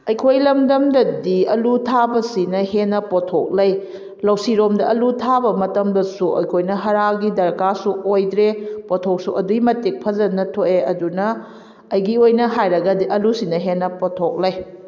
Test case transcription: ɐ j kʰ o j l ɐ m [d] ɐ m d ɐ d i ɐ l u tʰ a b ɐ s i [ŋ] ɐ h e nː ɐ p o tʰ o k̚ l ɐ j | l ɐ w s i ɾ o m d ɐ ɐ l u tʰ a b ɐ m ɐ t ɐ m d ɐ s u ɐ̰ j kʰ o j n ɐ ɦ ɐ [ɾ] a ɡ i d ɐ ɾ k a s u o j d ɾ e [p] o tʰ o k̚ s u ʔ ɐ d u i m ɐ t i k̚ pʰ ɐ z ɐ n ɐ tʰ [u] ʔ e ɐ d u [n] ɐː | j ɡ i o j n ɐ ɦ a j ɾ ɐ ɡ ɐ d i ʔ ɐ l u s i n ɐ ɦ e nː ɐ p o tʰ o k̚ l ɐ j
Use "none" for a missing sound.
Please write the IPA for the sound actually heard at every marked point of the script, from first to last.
d, n, ɾ, p, o, n

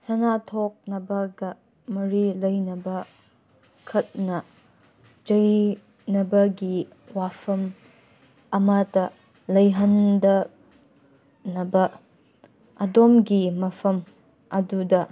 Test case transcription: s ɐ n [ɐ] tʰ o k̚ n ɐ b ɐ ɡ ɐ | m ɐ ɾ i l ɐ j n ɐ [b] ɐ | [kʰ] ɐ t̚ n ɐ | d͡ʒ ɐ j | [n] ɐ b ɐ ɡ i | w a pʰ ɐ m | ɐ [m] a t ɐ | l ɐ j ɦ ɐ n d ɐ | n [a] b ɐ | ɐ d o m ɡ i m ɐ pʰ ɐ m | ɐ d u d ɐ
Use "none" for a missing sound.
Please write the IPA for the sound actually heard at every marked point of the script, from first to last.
a, b, kʰ, n, m, ɐ

